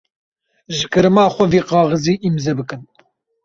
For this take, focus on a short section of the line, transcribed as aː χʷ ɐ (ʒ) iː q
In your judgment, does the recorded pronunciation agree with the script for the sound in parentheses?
no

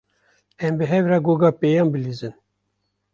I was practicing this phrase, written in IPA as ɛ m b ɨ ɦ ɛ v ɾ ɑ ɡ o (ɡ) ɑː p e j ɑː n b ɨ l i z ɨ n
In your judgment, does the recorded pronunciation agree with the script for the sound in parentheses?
yes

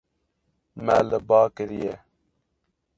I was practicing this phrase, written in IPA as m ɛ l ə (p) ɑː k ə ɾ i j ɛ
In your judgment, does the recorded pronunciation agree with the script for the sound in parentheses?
no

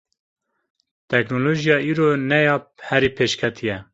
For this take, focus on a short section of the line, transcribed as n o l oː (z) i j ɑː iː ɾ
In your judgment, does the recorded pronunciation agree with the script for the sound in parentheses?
no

